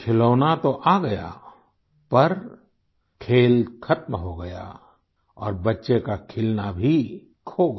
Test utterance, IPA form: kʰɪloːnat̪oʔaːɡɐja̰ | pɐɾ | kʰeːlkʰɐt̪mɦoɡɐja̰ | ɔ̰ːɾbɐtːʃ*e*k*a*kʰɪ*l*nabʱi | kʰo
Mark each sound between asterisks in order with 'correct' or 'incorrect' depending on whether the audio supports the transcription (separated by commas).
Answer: correct, correct, correct